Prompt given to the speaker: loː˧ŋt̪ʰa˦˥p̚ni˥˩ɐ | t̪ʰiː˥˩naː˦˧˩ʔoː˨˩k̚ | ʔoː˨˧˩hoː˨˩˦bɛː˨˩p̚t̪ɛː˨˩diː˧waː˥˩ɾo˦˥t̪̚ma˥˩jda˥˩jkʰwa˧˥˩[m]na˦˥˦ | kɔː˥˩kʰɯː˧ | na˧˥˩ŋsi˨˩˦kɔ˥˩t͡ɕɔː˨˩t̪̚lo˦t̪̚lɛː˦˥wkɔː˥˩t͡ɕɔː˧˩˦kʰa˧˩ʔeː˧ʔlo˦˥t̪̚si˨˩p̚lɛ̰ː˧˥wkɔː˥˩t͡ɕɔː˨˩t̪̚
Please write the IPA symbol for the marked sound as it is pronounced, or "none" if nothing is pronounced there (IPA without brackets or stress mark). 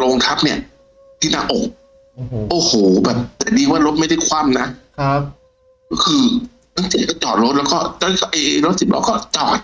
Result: m